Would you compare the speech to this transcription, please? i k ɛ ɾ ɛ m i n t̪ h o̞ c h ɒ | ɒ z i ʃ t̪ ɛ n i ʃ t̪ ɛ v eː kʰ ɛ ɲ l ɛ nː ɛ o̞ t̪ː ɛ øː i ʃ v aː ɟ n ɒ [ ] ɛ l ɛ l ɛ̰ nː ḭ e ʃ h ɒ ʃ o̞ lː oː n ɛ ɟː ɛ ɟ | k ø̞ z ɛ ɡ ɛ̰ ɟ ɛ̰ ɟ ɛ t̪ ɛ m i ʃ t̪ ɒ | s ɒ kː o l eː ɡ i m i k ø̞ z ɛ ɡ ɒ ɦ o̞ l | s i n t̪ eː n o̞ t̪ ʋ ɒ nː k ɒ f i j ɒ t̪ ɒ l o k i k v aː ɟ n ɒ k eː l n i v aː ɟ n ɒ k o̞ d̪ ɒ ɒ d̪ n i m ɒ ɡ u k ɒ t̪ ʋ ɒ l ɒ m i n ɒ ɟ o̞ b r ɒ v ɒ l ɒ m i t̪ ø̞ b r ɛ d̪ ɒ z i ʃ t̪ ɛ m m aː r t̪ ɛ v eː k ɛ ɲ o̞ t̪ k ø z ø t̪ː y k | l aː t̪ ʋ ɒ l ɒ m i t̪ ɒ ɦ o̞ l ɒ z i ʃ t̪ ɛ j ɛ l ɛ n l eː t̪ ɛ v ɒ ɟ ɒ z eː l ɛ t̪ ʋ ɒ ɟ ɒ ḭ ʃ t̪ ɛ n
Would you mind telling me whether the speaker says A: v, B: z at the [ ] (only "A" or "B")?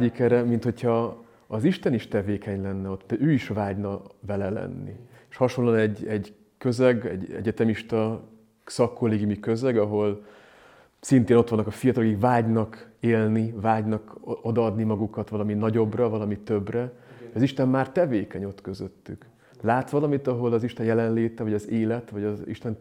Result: A